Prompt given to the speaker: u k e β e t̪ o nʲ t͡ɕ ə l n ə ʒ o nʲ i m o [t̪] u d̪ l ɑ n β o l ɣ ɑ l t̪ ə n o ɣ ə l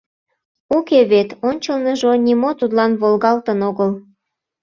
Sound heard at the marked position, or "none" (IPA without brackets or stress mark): t̪